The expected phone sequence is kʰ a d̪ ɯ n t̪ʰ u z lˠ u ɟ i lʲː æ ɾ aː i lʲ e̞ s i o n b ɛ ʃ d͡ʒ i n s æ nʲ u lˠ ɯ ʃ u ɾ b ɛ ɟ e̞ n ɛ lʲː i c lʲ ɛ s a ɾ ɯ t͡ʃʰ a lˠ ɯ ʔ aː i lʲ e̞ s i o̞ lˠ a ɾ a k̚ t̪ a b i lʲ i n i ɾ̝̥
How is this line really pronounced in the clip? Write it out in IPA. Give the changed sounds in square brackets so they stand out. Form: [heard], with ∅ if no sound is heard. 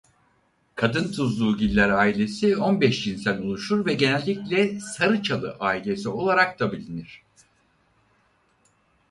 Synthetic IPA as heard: kʰ a d̪ ɯ n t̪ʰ u z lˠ [uː] ɟ i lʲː æ ɾ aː i lʲ e̞ s i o n b ɛ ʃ d͡ʒ i n s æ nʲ u lˠ [u] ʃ u ɾ [v] ɛ ɟ e̞ n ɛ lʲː i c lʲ ɛ s a ɾ ɯ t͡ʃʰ a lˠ ɯ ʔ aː i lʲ e̞ s i o̞ lˠ a ɾ a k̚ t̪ a b i lʲ i n i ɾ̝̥

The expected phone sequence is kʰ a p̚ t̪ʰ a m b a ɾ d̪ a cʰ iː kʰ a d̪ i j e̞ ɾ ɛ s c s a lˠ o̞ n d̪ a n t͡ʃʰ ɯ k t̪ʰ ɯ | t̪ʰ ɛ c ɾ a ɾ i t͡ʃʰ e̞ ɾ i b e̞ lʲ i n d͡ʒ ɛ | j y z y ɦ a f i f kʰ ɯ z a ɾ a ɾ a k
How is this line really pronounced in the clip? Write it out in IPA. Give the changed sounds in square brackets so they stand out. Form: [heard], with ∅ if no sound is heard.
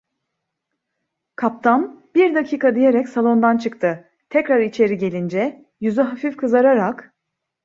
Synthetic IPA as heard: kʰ a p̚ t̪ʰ a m b [i] ɾ d̪ a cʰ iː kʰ a d̪ i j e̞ ɾ ɛ [∅] c s a lˠ o̞ n d̪ a n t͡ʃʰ ɯ k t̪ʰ ɯ | t̪ʰ ɛ c ɾ a ɾ i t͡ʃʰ e̞ ɾ i [ɟ] e̞ lʲ i n d͡ʒ ɛ | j y z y ɦ a f i f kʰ ɯ z a ɾ a ɾ a k

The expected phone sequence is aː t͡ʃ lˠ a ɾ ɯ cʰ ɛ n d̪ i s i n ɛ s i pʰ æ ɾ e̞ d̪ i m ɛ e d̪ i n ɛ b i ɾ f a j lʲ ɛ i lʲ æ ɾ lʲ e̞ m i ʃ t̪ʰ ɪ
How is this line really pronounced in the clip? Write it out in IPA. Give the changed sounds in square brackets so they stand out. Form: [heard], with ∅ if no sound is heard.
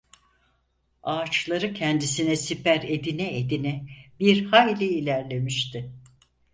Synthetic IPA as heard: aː t͡ʃ lˠ a ɾ ɯ cʰ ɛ n d̪ i s i n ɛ s i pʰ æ ɾ e̞ d̪ i [n] ɛ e d̪ i n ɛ b i ɾ [h] a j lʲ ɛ i lʲ æ ɾ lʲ e̞ m i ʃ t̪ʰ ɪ

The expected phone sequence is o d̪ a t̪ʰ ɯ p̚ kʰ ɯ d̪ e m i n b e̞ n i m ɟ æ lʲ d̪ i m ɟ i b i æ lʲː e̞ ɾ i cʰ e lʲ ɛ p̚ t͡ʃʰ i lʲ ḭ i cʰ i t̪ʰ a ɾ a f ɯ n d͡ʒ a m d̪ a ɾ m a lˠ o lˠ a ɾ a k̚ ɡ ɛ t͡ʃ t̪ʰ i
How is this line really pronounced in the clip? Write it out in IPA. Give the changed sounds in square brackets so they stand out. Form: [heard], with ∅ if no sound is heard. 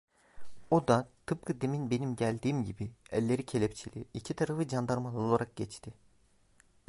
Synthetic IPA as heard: o d̪ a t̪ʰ ɯ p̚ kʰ ɯ d̪ e m i n b e̞ n i m ɟ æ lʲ d̪ [iː] m ɟ i b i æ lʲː e̞ ɾ i cʰ e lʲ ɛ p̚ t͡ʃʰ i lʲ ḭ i cʰ i t̪ʰ a ɾ a f ɯ [∅] d͡ʒ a [n] d̪ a ɾ m a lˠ o lˠ a ɾ a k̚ [ɟ] ɛ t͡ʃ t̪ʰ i

